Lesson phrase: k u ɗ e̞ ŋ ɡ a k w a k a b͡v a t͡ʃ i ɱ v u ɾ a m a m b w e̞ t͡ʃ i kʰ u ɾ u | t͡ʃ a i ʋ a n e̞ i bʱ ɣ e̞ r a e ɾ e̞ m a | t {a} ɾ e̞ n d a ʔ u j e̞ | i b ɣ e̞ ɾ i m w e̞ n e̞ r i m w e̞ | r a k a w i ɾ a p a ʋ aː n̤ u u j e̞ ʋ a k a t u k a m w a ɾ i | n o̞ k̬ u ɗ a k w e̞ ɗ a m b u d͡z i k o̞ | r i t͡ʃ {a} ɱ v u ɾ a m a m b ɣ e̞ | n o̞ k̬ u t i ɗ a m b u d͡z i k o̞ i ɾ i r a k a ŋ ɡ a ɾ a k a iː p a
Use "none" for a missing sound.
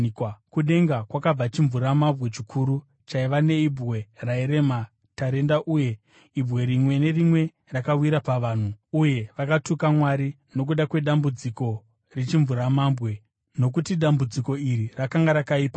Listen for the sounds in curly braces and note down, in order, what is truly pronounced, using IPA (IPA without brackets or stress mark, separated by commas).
a, i